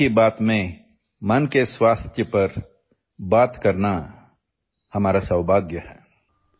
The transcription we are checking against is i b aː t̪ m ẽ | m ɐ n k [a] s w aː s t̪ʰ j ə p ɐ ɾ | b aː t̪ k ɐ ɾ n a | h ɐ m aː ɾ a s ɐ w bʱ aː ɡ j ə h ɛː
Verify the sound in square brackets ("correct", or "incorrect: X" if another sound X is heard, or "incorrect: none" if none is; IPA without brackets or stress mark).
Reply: incorrect: e